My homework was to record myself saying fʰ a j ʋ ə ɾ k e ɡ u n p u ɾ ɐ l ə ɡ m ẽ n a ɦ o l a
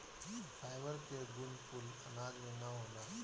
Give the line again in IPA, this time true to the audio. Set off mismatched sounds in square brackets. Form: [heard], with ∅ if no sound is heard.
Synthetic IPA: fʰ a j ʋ ə ɾ k e ɡ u n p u [l] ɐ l [a] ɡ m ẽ n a ɦ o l a